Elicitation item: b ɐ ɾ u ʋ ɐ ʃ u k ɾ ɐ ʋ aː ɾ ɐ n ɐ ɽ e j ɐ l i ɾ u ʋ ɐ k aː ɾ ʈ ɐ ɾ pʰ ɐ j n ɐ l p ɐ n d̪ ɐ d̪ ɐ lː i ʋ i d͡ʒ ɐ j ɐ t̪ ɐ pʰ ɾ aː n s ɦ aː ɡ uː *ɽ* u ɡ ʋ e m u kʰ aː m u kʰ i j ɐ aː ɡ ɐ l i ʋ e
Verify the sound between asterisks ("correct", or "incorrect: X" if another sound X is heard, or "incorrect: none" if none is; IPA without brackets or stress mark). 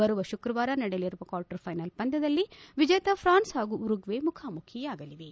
incorrect: ɾ